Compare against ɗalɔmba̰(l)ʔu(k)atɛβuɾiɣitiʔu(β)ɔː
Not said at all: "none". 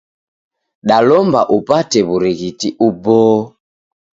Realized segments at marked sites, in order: none, p, b

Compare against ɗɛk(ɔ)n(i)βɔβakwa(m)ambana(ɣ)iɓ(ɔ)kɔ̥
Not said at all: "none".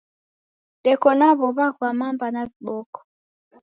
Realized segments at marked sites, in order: ɔ, a, m, v, ɔ

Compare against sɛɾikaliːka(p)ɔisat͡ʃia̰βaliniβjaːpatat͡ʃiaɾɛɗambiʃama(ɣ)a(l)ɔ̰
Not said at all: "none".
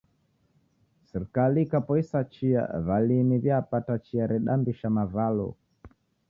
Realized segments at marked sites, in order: p, v, l

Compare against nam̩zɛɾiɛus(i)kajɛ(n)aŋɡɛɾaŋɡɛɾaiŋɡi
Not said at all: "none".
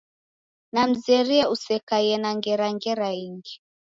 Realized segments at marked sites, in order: ɛ, n

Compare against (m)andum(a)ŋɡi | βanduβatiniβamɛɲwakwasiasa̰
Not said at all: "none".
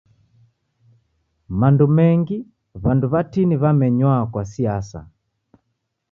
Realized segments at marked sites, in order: m, ɛ

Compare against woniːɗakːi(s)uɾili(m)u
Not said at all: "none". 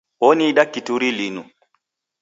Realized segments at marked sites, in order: t, n

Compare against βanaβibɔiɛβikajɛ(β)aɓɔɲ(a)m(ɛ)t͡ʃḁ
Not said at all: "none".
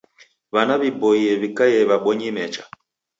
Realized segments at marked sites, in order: β, i, ɛ

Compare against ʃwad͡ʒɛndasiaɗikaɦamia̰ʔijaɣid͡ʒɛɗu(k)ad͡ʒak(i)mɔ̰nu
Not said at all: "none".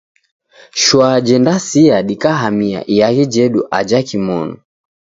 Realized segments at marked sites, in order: ʔ, i

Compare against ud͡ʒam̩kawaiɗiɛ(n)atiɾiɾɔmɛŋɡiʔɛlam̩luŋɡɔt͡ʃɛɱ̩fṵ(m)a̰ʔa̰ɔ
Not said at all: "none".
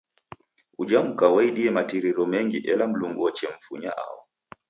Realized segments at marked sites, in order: m, ɲ

